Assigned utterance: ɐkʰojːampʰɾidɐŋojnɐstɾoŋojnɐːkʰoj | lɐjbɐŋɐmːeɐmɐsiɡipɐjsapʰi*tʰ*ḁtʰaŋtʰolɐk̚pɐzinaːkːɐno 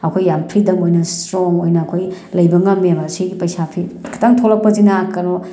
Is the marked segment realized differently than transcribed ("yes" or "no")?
yes